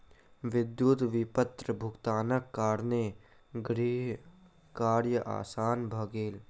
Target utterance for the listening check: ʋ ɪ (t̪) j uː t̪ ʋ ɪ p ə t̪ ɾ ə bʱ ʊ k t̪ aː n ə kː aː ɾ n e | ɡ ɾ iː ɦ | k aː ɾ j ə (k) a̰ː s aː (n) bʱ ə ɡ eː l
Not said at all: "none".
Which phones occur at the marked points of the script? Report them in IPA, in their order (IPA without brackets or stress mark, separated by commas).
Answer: d̪, ʔ, n